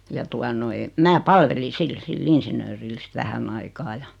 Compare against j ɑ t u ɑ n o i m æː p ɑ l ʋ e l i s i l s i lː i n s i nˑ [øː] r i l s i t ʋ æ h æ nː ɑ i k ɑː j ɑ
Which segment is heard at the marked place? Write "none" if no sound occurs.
øː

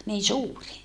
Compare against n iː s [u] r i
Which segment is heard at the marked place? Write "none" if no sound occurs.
uː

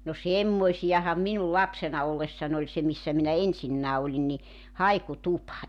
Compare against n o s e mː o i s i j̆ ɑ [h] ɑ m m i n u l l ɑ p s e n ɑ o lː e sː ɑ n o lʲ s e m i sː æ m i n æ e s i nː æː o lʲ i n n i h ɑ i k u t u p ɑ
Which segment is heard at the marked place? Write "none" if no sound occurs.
h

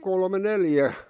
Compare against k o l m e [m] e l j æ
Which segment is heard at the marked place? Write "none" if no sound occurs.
n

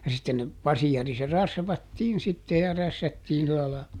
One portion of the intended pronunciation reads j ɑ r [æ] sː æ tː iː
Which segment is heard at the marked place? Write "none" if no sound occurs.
æ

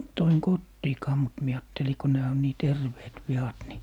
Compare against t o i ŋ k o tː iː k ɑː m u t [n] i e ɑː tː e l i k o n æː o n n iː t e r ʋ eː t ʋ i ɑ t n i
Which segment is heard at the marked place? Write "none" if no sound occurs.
m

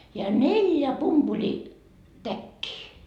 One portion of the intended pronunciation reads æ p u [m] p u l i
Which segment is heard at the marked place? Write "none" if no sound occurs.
m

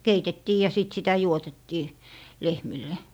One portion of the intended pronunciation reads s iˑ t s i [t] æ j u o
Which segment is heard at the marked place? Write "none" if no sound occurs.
t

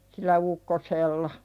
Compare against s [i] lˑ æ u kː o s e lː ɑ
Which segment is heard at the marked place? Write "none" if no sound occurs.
i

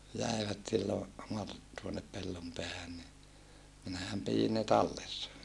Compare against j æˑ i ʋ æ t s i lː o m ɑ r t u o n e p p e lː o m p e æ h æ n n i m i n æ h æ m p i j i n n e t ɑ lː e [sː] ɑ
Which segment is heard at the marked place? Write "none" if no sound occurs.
sː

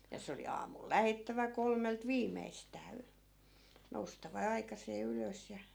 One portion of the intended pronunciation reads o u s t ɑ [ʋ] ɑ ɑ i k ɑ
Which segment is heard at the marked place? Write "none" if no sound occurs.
ʋ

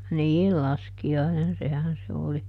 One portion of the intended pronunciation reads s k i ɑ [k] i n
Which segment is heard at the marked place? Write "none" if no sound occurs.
none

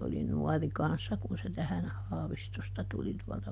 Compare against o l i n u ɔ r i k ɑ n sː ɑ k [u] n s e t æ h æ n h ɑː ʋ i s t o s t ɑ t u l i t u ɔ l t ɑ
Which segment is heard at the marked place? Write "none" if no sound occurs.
u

